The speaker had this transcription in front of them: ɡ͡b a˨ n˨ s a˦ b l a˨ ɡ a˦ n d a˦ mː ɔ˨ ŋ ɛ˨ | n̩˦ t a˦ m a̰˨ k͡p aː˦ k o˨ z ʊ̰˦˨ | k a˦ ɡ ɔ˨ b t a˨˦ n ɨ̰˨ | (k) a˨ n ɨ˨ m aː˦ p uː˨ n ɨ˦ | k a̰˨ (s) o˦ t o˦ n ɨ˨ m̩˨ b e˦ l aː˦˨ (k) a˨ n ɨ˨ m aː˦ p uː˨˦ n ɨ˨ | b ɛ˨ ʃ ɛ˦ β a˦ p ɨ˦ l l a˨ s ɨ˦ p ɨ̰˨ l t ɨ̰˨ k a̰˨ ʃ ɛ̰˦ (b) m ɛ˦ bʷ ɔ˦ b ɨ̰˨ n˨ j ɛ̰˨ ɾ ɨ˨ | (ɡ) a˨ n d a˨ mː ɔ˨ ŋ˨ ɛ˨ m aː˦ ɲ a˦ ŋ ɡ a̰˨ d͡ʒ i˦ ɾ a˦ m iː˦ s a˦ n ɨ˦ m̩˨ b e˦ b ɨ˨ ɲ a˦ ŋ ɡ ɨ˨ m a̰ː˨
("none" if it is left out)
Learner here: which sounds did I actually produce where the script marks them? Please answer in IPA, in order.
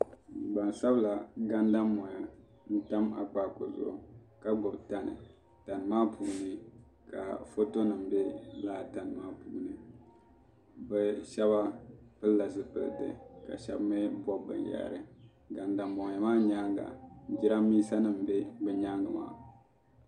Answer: t, f, t, b, ɡ

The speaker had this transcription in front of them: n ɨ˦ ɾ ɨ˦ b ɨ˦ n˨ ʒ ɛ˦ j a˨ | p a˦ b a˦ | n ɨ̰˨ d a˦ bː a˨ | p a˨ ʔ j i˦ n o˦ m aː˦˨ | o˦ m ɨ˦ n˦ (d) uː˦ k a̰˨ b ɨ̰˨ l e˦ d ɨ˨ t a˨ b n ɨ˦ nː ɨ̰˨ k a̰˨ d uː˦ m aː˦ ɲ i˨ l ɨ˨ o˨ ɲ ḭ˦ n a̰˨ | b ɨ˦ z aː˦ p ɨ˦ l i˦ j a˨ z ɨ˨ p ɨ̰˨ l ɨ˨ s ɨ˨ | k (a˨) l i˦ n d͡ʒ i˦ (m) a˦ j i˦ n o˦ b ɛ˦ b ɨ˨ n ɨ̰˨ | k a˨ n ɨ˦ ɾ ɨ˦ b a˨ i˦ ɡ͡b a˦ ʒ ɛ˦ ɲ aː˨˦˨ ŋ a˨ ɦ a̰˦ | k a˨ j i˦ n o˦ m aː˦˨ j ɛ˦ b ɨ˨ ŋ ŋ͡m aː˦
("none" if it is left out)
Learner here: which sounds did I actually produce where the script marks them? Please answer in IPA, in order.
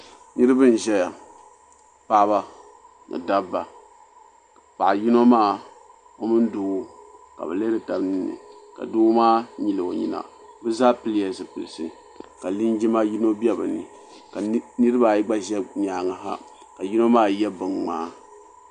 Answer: d, a˨, m

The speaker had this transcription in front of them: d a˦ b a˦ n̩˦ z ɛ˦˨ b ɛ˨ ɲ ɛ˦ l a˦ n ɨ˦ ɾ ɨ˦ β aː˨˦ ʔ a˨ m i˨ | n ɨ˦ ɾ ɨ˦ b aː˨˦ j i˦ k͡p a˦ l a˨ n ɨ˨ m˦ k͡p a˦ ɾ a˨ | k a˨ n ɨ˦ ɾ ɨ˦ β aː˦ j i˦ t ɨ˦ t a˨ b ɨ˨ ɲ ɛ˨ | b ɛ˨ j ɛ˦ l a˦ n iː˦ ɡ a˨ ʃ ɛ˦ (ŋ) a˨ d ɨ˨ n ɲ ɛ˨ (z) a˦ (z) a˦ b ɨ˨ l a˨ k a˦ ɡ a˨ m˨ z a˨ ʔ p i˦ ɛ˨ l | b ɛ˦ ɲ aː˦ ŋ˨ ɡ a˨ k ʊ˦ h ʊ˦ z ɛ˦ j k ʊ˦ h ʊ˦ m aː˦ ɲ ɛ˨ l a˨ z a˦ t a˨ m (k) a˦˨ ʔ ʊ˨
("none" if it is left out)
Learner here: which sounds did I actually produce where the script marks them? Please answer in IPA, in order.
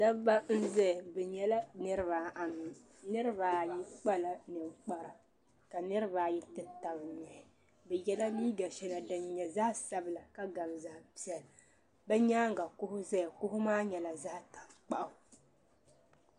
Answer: n, z, s, k͡p

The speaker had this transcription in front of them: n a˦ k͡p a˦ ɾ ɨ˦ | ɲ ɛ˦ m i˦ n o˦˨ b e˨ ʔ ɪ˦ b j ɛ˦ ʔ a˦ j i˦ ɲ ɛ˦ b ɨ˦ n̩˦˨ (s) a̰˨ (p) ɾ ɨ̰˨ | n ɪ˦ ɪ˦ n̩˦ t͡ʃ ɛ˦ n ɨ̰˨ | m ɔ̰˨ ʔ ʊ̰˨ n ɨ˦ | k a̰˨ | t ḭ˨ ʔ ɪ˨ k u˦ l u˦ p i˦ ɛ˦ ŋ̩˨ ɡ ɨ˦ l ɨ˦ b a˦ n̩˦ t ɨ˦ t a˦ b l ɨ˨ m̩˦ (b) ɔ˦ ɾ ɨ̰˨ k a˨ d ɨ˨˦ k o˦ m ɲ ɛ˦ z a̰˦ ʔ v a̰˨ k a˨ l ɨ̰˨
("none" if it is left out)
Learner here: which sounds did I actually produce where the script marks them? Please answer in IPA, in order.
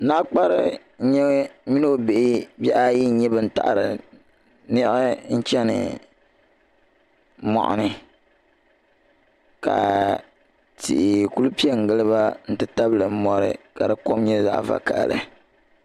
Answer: t, ʔ, m

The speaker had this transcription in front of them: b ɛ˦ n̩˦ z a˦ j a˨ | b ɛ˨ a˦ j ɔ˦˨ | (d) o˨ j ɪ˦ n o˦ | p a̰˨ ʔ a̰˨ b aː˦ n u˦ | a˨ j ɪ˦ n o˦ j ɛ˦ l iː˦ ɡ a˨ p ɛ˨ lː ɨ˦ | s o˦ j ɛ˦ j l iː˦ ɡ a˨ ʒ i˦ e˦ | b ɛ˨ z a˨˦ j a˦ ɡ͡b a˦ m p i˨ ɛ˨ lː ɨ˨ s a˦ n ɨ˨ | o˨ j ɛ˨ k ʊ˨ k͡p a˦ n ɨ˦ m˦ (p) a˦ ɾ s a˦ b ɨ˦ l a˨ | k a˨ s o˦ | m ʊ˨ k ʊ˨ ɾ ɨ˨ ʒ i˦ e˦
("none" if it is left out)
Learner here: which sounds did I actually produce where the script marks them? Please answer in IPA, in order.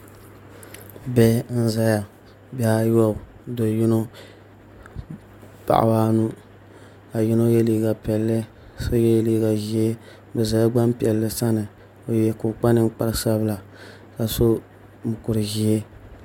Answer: d, k͡p

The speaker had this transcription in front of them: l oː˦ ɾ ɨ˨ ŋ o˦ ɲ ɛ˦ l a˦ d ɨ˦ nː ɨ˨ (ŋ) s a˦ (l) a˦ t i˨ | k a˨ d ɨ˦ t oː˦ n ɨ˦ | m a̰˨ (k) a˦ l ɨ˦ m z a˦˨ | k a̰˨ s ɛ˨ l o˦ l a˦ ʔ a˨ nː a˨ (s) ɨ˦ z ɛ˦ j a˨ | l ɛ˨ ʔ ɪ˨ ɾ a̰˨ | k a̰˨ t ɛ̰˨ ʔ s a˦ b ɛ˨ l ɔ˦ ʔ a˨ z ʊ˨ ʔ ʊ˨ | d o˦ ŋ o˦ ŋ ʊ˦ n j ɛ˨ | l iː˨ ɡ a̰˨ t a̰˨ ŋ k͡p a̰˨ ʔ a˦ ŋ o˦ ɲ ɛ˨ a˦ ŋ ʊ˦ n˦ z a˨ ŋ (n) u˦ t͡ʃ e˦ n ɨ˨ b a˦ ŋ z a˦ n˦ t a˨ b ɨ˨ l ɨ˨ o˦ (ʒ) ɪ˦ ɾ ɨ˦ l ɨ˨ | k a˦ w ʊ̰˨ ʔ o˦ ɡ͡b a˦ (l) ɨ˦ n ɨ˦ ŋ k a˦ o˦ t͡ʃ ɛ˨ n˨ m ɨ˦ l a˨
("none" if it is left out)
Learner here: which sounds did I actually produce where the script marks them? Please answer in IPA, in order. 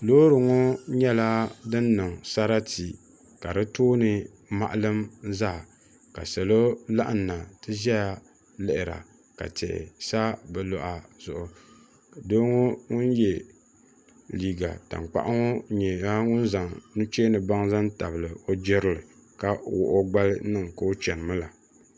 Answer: ŋ, ɾ, ʔ, t, n, d͡ʒ, l

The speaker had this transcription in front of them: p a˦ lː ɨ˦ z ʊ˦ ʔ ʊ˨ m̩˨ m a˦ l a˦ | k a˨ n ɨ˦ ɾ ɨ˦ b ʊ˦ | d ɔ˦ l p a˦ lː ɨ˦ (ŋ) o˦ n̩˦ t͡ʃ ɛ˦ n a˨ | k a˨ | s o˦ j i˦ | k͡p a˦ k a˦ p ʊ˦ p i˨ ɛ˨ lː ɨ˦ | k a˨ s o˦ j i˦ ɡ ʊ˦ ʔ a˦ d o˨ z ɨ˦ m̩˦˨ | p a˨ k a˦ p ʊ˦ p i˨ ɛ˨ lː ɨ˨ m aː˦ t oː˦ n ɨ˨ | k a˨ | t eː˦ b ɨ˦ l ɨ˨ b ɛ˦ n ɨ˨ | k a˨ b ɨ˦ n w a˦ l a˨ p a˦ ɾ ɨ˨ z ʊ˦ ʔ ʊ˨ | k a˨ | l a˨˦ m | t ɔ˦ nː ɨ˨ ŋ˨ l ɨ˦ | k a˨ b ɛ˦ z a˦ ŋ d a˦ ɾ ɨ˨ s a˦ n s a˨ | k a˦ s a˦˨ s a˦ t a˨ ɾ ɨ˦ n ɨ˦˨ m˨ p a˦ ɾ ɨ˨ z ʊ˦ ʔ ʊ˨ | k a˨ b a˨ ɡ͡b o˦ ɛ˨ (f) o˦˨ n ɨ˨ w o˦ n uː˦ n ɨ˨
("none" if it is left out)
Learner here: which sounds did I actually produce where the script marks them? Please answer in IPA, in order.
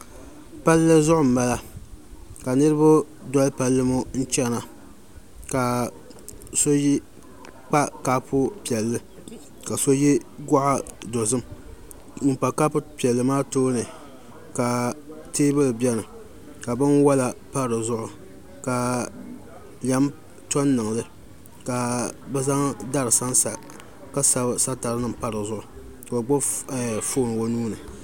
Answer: m, f

